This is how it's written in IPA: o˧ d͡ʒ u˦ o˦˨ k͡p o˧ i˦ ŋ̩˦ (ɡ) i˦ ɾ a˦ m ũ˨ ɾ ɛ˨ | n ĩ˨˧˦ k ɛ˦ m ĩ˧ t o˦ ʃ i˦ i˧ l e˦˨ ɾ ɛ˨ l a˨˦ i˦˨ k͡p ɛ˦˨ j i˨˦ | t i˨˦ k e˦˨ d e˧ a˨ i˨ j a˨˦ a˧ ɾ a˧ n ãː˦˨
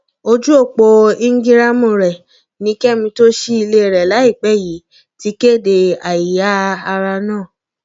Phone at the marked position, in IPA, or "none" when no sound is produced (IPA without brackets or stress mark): ɡ